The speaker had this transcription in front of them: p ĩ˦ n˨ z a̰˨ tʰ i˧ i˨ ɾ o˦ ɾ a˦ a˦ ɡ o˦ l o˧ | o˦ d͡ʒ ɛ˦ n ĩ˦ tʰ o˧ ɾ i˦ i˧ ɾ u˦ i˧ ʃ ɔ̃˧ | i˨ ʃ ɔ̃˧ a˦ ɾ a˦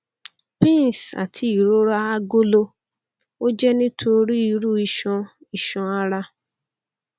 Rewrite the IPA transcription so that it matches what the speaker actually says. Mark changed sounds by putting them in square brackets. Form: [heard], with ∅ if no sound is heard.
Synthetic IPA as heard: p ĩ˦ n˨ [s] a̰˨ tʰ i˧ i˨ ɾ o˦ ɾ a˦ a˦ ɡ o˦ l o˧ | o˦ d͡ʒ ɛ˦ n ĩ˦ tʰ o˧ ɾ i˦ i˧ ɾ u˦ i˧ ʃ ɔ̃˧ | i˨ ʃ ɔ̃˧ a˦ ɾ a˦